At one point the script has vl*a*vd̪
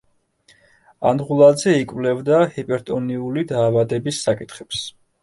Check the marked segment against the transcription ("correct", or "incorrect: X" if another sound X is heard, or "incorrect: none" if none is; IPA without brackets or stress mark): incorrect: ɛ